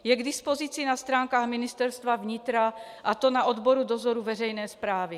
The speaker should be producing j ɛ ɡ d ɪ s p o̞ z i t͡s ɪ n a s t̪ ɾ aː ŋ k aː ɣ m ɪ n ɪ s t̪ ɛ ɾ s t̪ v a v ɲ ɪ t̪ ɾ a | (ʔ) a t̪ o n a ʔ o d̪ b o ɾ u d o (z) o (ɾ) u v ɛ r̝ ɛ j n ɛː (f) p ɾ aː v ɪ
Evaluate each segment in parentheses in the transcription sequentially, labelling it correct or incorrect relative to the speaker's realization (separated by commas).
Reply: correct, correct, correct, incorrect